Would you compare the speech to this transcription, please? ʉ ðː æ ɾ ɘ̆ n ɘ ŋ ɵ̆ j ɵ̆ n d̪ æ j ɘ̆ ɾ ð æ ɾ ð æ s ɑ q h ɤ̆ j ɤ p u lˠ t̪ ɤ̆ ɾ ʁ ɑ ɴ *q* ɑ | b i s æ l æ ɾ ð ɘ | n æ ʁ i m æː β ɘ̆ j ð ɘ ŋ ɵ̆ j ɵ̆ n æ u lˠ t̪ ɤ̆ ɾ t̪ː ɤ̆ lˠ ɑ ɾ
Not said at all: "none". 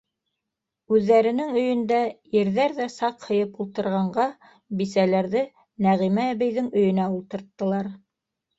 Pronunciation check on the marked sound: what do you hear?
ɢ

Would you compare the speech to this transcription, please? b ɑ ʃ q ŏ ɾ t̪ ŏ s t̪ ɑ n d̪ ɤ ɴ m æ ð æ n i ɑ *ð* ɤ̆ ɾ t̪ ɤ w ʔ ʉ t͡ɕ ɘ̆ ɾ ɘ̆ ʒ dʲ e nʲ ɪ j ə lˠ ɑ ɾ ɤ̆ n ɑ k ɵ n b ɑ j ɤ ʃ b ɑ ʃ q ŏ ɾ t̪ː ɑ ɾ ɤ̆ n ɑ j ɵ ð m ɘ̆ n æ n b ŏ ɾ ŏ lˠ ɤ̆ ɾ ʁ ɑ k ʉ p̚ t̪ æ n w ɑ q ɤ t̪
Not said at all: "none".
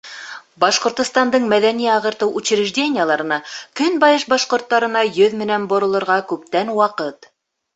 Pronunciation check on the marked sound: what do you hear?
ʁ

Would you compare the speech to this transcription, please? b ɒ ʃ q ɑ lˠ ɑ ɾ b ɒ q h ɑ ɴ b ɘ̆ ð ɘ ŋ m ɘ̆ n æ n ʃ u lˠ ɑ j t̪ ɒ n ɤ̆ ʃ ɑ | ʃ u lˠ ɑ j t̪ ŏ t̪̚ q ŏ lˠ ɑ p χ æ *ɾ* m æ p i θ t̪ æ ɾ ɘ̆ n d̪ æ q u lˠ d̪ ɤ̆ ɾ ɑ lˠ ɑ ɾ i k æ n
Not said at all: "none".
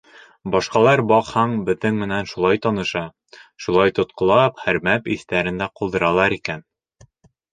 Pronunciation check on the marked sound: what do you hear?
ɾ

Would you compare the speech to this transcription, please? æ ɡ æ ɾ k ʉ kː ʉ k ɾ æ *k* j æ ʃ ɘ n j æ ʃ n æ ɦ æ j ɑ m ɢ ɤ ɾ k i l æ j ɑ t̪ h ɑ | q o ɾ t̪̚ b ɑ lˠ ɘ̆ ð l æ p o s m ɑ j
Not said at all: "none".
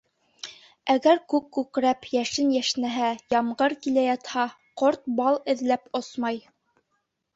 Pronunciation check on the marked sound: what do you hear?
p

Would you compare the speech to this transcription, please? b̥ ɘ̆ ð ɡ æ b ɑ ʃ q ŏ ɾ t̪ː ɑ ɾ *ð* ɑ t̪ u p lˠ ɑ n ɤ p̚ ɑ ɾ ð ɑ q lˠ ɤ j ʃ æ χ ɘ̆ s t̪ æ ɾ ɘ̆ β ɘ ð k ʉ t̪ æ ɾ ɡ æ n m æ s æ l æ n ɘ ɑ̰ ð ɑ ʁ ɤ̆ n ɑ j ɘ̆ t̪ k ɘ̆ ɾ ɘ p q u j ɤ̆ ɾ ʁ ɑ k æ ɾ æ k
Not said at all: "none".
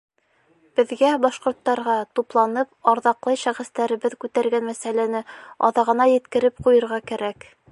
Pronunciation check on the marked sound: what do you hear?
ʁ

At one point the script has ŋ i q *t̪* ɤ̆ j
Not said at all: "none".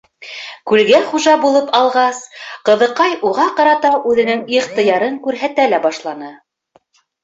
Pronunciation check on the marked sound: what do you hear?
t̪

